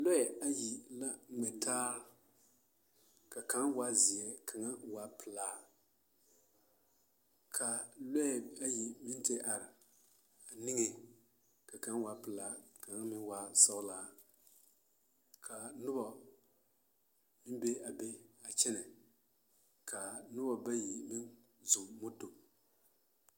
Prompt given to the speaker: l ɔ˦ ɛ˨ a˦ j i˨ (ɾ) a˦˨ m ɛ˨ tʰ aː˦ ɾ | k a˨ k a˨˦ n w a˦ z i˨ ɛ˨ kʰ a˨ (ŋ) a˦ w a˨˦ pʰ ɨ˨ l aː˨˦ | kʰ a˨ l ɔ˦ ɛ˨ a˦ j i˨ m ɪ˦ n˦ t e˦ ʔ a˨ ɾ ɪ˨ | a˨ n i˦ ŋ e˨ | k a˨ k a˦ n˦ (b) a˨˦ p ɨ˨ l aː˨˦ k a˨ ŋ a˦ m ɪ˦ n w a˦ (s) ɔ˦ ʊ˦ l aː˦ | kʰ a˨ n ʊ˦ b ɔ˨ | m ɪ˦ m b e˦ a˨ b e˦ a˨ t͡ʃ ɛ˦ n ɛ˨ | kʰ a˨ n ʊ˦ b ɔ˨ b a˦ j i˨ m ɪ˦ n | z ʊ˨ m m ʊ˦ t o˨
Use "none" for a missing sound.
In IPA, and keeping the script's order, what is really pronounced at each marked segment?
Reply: l, ŋ, w, s

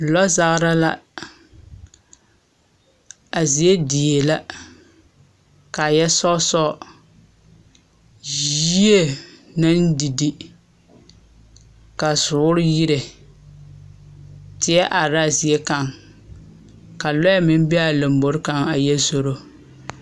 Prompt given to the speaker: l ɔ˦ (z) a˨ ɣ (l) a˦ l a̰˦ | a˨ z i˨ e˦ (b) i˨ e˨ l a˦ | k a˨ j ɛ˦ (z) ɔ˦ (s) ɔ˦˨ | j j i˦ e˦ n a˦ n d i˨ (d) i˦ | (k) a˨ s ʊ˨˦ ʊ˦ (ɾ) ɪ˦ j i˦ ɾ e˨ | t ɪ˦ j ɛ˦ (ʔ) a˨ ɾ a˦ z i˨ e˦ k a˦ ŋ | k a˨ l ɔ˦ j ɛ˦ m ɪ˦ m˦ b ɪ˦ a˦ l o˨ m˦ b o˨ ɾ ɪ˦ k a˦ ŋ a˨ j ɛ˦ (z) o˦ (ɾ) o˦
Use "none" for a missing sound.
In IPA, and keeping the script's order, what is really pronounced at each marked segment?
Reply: z, ɾ, d, s, s, d, k, ɾ, ʔ, z, ɾ

